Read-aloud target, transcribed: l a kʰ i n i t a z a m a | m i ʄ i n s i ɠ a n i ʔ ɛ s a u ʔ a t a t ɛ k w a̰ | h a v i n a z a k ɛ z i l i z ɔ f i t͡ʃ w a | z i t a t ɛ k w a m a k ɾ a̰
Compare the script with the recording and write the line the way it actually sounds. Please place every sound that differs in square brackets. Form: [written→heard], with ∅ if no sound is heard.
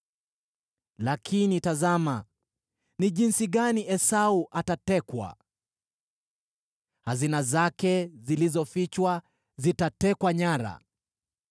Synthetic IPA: l a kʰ i n i t a z a m a | [m→n] i ʄ i n s i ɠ a n i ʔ ɛ s a u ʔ a t a t ɛ k w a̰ | h a [v→z] i n a z a k ɛ z i l i z ɔ f i t͡ʃ w a | z i t a t ɛ k w a [m→ɲ] a [k→∅] ɾ a̰